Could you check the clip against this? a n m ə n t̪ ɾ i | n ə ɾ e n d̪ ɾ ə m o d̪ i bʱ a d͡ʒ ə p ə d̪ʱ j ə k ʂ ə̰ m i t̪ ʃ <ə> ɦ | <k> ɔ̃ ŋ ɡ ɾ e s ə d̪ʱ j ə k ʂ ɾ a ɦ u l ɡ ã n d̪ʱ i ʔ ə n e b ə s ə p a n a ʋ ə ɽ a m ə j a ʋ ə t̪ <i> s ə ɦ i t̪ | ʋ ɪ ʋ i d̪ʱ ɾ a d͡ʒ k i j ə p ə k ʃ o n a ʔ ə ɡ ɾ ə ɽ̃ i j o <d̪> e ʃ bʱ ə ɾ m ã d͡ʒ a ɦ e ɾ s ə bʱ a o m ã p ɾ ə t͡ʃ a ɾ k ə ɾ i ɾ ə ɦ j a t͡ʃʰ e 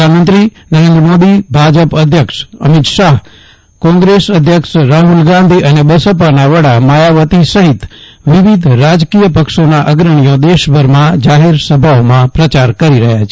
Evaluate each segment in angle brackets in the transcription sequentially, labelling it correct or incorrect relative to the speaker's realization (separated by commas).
incorrect, correct, correct, correct